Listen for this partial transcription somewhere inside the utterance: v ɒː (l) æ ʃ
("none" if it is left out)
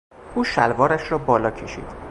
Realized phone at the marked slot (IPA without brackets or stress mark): ɾ